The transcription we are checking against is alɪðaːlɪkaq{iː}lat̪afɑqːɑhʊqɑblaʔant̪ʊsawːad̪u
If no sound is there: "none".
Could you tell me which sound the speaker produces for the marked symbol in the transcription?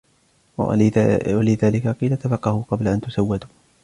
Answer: iː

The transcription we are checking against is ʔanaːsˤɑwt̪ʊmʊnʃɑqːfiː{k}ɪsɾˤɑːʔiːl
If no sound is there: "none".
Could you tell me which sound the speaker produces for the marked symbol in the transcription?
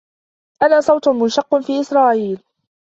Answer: ʔ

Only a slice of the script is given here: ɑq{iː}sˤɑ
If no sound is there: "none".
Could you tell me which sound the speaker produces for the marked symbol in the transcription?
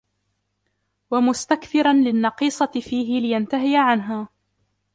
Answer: iː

